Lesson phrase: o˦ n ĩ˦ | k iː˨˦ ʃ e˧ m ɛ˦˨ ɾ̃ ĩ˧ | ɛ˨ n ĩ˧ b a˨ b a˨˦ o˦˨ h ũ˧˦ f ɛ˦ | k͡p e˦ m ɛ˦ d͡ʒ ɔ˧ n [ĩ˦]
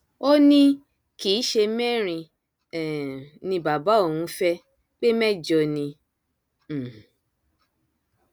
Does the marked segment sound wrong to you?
yes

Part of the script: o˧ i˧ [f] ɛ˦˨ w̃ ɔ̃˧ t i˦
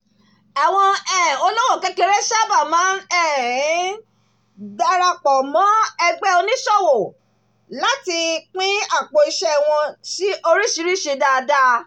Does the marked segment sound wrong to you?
yes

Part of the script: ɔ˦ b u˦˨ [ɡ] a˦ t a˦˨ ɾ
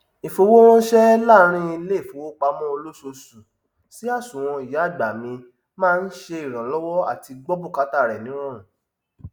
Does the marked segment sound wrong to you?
yes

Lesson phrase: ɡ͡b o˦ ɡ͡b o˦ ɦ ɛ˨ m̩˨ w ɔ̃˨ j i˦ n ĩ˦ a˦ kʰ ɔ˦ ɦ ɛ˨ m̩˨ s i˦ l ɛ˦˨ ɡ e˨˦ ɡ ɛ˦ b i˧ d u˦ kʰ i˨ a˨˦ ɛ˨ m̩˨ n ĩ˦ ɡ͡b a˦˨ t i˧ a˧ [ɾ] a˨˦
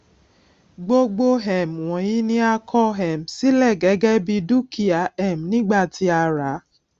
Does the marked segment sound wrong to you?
no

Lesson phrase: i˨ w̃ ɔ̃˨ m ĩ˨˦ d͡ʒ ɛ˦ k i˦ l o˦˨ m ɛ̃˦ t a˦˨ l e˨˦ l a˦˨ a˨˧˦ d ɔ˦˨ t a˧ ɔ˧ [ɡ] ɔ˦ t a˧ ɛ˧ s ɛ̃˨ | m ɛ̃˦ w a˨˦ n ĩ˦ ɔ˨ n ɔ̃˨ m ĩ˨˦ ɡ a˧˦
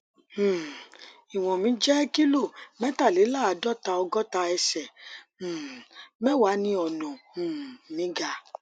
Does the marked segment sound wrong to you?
no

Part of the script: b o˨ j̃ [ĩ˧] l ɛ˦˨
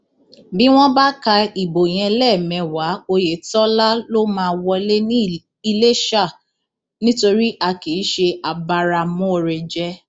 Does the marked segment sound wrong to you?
yes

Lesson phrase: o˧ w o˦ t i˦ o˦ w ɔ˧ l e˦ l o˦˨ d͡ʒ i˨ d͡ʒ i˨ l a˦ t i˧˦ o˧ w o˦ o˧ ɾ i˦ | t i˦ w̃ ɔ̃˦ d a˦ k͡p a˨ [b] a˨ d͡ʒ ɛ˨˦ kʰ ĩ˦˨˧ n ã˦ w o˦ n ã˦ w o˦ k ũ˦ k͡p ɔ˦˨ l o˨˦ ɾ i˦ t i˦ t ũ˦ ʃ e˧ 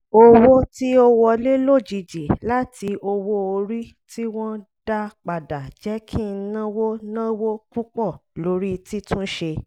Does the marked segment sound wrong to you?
yes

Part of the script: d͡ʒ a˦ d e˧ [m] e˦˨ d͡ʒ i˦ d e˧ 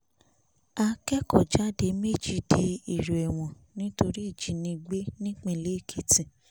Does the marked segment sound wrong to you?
no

